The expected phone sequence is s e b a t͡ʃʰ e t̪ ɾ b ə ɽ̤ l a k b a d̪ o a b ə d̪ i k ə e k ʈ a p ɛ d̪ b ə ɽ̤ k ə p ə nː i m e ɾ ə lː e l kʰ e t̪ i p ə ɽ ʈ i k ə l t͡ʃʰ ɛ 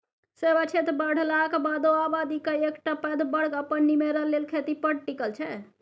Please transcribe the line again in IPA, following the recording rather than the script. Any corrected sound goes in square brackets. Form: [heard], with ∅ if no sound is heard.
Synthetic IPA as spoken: s e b a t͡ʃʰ e t̪ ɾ b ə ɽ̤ l a k b a d̪ o a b [a] d̪ i k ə e k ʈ a p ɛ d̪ b ə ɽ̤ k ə p ə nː i m e ɾ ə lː e l kʰ e t̪ i p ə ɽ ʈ i k ə l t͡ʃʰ ɛ